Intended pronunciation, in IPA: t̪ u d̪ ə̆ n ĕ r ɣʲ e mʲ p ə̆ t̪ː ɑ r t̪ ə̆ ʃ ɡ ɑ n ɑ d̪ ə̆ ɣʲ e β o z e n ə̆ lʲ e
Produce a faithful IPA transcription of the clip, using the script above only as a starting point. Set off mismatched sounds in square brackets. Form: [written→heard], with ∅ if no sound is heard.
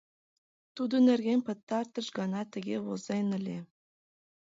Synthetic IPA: t̪ u d̪ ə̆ n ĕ r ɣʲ e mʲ p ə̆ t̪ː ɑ r t̪ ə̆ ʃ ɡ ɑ n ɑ [d̪→t̪] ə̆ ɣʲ e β o z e n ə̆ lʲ e